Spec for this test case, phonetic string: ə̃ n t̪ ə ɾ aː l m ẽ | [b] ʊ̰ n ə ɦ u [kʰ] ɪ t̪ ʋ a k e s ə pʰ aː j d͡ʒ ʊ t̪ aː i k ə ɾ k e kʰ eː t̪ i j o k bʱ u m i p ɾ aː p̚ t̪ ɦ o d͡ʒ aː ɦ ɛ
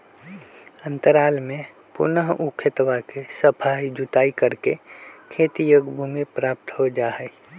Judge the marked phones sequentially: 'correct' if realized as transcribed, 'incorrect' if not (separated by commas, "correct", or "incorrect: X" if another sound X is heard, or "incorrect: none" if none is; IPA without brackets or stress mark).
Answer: incorrect: p, correct